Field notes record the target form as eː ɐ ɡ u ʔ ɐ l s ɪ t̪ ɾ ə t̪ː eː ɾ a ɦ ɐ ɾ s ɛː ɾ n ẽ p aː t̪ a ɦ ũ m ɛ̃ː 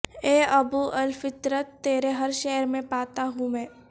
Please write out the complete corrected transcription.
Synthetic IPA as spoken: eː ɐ b u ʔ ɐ l f ɪ t̪ ɾ ə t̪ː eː ɾ e ɦ ɐ ɾ ʃ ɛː ɾ m ẽ p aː t̪ a ɦ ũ m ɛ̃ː